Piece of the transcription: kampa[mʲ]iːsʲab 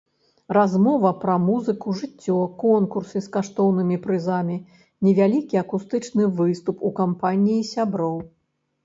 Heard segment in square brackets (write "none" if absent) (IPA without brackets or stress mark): nʲ